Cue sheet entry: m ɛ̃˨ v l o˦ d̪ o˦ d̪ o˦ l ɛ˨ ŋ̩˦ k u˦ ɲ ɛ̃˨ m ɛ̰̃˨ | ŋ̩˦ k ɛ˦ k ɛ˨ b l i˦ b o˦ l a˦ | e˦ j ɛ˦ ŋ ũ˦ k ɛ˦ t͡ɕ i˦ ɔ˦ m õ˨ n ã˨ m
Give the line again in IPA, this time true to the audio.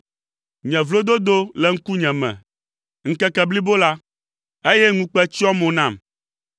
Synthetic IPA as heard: ɲ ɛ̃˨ v l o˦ d̪ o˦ d̪ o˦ l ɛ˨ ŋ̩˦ k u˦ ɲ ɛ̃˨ m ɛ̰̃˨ | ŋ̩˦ k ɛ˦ k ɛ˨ b l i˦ b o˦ l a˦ | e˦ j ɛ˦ ŋ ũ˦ k͡p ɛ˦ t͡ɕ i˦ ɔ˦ m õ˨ n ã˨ m